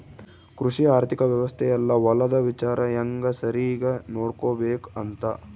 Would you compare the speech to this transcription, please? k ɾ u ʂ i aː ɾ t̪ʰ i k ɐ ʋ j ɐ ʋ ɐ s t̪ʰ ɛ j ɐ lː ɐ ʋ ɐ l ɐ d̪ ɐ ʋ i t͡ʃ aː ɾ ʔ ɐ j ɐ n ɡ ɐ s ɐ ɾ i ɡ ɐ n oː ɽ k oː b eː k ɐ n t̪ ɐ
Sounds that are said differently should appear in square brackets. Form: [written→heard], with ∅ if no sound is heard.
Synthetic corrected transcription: k ɾ u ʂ i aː ɾ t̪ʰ i k ɐ ʋ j ɐ ʋ ɐ s t̪ʰ ɛ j ɐ lː ɐ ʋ ɐ l ɐ d̪ ɐ ʋ i t͡ʃ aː ɾ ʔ ɐ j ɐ [n→ŋ] ɡ ɐ s ɐ ɾ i ɡ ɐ n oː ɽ k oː b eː k ɐ n t̪ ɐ